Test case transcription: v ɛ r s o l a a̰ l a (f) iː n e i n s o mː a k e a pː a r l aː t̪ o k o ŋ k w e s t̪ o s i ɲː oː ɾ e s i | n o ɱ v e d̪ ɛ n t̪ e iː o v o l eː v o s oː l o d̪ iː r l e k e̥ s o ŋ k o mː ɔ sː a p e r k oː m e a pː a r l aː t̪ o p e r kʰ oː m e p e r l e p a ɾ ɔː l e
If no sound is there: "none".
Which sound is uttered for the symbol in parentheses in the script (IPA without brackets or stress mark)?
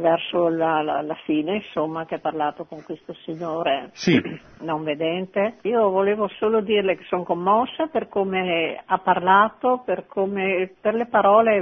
f